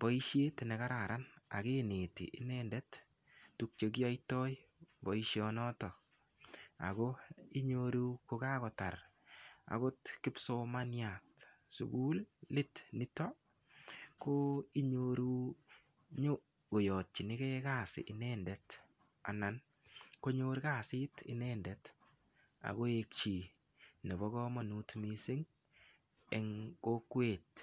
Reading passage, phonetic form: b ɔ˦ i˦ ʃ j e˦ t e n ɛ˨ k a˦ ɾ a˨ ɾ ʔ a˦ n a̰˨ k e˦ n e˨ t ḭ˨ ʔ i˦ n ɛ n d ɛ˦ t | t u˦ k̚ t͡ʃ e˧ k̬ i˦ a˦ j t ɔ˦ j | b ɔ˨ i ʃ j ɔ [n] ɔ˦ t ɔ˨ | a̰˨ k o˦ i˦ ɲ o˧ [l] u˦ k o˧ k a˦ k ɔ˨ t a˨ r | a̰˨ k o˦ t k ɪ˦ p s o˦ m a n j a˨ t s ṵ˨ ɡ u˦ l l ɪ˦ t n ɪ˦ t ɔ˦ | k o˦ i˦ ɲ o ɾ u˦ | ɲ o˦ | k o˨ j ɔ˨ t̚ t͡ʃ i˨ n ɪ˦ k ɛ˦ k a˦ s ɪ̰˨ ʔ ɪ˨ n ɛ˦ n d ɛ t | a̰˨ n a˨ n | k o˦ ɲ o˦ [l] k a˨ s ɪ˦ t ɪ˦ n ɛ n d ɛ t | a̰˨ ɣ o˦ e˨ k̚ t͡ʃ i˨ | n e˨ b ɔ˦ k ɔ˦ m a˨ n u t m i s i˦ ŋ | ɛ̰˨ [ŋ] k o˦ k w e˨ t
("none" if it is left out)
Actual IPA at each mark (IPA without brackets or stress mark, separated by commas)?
n, ɾ, ɾ, ŋ